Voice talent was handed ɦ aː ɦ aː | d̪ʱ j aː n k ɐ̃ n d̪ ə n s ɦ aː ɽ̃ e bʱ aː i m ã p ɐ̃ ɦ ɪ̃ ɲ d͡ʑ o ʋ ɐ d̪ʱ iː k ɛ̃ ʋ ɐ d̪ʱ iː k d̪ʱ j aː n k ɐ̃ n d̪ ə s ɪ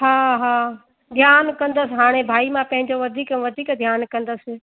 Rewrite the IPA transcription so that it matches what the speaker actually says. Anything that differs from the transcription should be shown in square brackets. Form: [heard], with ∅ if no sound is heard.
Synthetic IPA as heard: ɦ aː ɦ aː | d̪ʱ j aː n k ɐ̃ n d̪ ə [∅] s ɦ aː ɽ̃ e bʱ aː i m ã p ɐ̃ ɦ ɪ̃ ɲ d͡ʑ o ʋ ɐ d̪ʱ iː k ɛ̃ ʋ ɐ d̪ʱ iː k d̪ʱ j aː n k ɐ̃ n d̪ ə s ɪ